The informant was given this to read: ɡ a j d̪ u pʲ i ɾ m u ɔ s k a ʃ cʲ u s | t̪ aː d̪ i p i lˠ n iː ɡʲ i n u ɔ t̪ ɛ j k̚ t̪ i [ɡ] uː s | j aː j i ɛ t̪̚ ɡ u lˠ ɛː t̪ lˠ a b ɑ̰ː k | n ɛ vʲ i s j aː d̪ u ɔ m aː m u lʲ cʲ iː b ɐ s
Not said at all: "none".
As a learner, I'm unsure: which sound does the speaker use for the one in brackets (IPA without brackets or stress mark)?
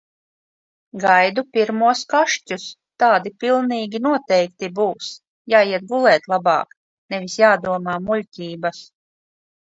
b